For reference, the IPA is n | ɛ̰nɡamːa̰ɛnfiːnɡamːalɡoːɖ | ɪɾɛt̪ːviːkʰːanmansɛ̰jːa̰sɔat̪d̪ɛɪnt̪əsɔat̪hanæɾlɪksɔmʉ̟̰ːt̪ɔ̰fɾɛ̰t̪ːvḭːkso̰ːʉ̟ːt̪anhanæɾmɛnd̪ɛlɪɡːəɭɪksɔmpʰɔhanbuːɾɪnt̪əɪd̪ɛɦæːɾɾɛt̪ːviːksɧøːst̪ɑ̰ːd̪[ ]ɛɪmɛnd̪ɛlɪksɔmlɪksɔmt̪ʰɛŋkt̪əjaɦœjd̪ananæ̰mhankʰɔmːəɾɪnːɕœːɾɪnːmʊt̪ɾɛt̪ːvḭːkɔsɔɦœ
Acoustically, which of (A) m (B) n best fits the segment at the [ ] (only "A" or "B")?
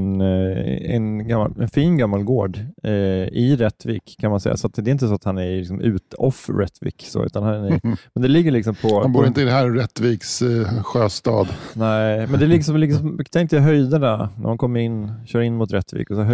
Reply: B